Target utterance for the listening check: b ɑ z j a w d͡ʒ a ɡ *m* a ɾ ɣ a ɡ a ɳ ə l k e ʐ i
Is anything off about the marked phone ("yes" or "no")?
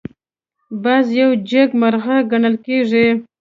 no